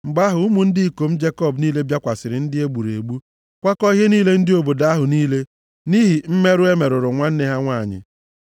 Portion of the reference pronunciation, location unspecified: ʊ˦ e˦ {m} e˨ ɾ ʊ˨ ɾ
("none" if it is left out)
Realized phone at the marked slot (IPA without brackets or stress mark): m